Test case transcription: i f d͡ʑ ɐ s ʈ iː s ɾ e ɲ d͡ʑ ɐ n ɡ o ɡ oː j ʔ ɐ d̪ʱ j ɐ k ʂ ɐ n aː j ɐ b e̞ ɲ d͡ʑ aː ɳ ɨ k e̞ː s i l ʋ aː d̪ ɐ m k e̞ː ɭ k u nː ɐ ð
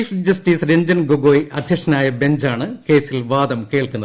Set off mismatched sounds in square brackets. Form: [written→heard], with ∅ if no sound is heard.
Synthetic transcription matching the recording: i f d͡ʑ ɐ s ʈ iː s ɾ e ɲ d͡ʑ ɐ n ɡ o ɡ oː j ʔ ɐ d̪ʱ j ɐ k ʂ ɐ n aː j ɐ b e̞ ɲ d͡ʑ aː ɳ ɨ k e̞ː s i l ʋ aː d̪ ɐ m k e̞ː ɭ k u nː ɐ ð